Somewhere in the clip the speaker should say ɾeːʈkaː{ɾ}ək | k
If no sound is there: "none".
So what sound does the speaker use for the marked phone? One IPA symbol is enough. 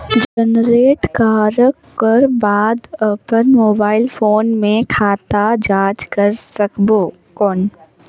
ɾ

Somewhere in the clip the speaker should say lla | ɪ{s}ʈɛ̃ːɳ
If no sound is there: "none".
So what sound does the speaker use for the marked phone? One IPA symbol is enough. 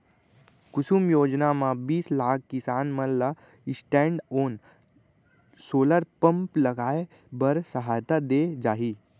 s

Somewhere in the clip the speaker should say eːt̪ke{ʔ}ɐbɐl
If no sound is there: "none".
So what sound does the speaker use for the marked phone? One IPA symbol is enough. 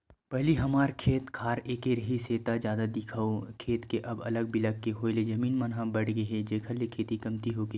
ʔ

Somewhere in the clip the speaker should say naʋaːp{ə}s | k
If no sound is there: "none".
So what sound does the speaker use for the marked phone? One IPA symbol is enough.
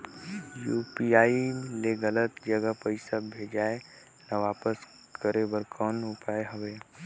ə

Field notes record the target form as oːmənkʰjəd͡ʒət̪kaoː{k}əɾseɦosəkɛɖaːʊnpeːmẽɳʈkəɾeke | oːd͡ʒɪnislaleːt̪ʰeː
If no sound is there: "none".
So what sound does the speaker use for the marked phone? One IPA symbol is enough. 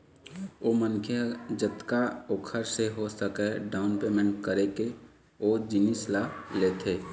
kʰ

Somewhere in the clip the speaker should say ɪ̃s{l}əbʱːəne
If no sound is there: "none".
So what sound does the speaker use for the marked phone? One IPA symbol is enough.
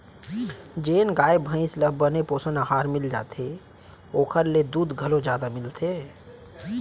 l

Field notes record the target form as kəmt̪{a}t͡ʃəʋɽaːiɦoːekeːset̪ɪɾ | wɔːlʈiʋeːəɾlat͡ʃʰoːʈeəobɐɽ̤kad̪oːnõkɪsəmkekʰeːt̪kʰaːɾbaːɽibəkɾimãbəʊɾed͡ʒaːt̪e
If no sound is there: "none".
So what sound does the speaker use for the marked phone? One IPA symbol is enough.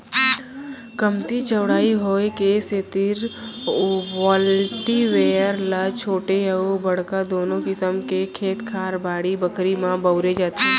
i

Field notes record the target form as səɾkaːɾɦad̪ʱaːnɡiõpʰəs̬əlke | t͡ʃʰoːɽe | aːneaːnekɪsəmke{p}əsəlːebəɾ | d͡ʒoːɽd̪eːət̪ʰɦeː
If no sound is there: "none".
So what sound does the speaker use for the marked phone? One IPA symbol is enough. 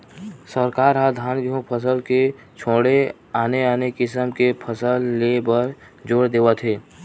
pʰ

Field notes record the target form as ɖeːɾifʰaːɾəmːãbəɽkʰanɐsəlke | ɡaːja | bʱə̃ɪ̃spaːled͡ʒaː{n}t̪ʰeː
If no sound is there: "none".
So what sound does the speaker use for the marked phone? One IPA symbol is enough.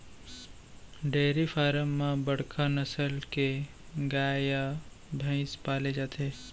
none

